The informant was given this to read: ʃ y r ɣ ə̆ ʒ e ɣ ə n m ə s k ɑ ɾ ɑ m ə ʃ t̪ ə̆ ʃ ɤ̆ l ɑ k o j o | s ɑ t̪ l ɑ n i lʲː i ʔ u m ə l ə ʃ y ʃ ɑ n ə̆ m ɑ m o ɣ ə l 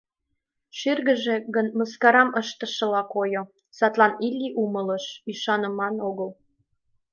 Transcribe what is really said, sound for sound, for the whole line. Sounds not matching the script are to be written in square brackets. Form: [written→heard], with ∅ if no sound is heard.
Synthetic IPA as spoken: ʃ y r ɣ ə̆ ʒ e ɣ ə n m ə s k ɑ ɾ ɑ m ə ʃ t̪ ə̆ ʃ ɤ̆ l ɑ k o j o | s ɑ t̪ l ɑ n i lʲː i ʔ u m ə l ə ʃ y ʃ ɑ n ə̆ m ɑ [m→n] o ɣ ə l